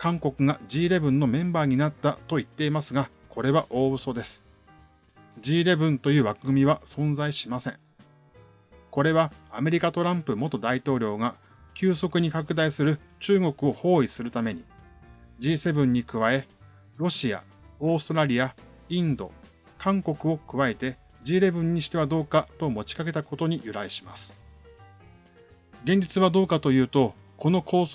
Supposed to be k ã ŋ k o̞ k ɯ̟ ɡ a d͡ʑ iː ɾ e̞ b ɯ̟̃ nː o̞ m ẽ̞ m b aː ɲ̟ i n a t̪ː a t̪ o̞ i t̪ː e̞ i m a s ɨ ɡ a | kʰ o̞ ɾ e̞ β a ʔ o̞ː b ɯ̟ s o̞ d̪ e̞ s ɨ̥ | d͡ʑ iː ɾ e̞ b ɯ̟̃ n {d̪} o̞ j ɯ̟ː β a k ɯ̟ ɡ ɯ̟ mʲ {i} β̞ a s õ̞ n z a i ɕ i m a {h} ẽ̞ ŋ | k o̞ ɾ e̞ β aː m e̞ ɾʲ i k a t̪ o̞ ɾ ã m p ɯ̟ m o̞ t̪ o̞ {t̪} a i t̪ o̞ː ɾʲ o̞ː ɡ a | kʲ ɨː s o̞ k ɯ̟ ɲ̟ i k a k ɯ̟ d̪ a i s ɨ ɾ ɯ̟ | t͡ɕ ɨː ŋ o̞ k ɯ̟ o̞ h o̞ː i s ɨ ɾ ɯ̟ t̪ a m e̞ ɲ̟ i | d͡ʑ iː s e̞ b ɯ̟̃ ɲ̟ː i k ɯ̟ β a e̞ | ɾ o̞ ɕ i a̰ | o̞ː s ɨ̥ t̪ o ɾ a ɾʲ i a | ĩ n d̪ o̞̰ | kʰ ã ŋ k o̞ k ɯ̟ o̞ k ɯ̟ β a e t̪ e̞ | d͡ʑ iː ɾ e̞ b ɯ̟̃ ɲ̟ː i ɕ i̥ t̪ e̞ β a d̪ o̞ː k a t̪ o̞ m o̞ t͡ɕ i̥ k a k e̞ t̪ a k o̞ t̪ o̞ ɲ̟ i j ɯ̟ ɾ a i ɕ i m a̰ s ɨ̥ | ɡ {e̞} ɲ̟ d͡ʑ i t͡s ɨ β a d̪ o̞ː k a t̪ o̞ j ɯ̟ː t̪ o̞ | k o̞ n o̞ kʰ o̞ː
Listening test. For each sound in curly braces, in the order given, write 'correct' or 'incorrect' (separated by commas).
incorrect, correct, incorrect, incorrect, incorrect